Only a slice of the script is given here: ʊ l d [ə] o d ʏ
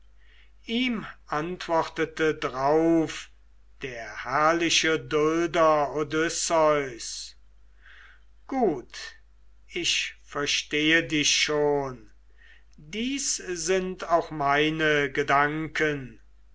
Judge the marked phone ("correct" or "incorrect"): incorrect